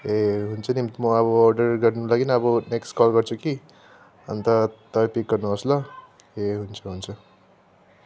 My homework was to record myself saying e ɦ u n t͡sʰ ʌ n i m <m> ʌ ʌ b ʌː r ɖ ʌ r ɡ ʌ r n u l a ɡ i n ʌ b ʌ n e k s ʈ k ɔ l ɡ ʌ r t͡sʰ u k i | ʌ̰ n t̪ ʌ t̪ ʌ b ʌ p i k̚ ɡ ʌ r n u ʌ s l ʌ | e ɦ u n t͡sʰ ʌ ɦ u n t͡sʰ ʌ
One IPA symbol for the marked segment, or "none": m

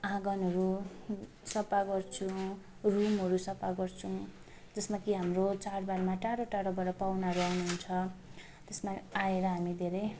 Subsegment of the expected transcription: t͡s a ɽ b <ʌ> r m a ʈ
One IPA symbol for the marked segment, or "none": a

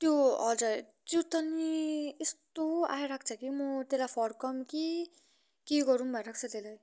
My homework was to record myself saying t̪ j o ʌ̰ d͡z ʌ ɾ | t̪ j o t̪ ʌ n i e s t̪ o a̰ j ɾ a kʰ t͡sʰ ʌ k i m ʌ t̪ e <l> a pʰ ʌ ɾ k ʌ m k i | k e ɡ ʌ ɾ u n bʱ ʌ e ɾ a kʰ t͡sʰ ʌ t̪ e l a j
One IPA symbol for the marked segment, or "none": l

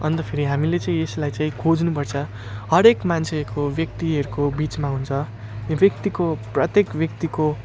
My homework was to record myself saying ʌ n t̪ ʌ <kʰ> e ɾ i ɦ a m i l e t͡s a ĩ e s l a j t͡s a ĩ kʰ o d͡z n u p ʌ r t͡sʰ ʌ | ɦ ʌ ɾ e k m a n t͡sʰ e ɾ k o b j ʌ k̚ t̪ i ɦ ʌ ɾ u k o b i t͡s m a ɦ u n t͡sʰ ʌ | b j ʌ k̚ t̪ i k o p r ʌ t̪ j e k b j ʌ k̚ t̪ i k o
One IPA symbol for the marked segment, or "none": pʰ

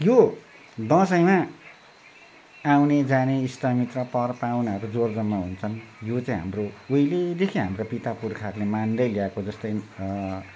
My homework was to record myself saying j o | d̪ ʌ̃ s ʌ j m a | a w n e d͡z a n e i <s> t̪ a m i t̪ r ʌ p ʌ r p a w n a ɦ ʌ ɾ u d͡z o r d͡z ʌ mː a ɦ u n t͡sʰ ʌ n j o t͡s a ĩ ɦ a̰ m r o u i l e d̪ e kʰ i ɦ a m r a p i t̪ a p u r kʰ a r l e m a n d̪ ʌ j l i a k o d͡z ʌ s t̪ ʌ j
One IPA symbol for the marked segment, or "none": s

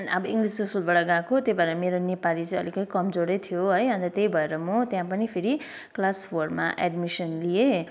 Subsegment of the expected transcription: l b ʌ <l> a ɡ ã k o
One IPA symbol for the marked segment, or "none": ɽ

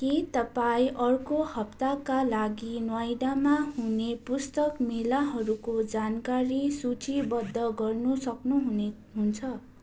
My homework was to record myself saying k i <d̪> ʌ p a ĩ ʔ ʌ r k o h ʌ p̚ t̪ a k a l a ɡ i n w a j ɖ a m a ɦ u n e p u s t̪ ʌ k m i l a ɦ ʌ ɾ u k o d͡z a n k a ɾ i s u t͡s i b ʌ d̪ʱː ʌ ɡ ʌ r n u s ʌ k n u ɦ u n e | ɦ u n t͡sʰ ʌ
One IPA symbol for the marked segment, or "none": t̪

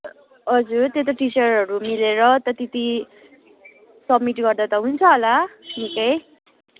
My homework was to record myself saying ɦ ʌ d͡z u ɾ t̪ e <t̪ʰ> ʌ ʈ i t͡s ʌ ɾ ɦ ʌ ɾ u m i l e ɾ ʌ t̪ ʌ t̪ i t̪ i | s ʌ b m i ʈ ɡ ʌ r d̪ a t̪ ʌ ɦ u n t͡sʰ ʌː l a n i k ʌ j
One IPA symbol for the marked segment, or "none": t̪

